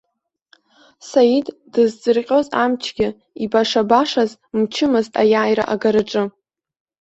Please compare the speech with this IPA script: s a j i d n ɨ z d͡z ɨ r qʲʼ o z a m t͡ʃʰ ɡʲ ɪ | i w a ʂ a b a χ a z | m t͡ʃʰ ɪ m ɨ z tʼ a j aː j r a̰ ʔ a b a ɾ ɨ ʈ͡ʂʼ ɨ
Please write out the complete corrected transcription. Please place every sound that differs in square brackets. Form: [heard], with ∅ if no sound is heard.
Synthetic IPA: s a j i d [d] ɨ z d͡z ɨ r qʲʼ o z a m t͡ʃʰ ɡʲ ɪ | i [b] a ʂ a b a [ʂ] a z | m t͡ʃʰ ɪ m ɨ z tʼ a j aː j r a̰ ʔ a [ɡ] a ɾ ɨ ʈ͡ʂʼ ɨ